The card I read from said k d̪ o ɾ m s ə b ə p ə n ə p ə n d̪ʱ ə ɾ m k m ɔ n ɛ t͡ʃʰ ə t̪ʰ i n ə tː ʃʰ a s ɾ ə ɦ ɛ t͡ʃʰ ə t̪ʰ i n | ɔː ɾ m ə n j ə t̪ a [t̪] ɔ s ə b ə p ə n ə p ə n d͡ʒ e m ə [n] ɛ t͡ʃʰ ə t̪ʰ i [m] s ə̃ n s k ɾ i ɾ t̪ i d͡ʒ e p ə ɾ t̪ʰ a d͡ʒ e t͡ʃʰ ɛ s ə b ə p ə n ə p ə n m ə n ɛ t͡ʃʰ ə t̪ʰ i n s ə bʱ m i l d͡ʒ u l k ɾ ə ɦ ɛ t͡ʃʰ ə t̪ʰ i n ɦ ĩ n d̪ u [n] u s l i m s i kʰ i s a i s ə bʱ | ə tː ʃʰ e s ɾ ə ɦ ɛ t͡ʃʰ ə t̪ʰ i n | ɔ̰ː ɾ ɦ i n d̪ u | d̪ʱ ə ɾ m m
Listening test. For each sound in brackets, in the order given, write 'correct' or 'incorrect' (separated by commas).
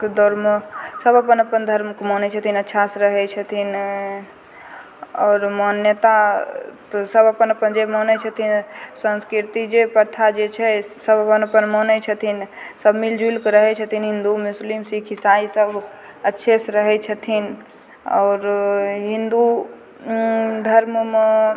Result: correct, correct, incorrect, incorrect